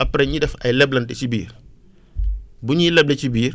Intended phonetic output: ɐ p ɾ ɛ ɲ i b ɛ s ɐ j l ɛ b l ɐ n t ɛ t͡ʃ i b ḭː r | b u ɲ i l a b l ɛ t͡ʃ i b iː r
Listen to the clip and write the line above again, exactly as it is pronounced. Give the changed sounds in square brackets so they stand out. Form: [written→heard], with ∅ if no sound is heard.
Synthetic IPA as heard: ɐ p ɾ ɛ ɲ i [b→d] ɛ [s→f] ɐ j l ɛ b l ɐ n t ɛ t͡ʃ i b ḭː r | b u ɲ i l [a→ɛ] b l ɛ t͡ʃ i b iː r